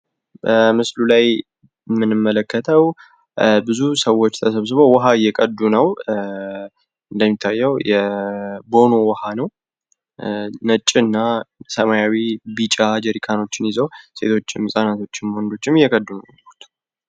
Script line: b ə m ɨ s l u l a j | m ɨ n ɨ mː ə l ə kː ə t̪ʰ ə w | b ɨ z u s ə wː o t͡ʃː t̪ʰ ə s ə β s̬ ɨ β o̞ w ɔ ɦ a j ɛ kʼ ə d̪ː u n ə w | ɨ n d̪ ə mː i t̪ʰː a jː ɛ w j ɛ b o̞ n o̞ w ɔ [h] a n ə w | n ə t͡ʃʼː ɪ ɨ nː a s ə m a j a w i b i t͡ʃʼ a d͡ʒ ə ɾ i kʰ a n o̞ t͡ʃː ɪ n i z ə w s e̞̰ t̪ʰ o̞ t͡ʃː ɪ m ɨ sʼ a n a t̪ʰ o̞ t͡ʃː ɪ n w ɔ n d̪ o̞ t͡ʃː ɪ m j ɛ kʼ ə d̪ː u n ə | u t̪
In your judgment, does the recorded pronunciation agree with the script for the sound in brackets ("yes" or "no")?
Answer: yes